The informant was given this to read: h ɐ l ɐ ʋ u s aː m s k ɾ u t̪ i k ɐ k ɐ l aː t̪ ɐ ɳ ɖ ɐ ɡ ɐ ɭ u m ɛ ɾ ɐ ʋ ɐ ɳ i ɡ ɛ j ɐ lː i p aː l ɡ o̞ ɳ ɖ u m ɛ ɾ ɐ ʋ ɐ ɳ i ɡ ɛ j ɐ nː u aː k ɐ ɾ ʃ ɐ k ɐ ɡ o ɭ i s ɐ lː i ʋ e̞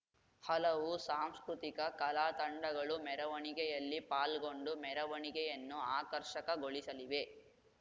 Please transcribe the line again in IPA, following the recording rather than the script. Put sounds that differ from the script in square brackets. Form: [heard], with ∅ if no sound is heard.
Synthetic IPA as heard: h ɐ l ɐ ʋ u s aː m s k ɾ u t̪ i k ɐ k ɐ l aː t̪ ɐ ɳ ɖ ɐ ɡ ɐ ɭ u m ɛ ɾ ɐ ʋ ɐ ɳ i ɡ ɛ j ɐ lː i p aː l ɡ o̞ ɳ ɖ u m ɛ ɾ ɐ ʋ ɐ ɳ i ɡ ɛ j ɐ nː u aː k ɐ ɾ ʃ ɐ k ɐ ɡ o ɭ i s ɐ [l] i ʋ e̞